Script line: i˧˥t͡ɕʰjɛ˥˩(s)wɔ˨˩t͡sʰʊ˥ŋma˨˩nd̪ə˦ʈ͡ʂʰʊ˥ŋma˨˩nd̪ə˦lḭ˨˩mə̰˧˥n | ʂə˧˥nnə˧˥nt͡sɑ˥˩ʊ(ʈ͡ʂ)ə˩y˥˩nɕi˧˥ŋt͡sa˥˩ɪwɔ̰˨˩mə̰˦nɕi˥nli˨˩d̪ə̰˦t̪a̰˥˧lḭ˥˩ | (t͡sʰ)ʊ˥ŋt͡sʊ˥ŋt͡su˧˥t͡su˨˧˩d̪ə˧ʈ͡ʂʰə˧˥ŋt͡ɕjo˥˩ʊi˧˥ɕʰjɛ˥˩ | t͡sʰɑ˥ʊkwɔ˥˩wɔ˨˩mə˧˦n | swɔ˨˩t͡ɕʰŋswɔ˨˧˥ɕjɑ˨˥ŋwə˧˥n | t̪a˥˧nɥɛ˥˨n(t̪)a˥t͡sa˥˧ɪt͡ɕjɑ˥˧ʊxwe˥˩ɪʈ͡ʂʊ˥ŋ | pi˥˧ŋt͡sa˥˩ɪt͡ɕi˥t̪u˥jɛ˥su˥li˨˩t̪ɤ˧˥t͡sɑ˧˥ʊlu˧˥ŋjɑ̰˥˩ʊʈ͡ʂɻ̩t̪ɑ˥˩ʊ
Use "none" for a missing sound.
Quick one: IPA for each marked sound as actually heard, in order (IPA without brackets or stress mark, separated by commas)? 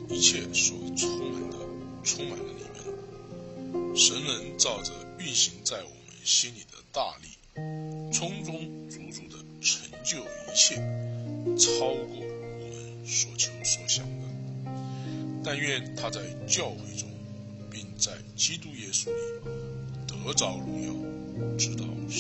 s, ʈ͡ʂ, t͡sʰ, t̪ʰ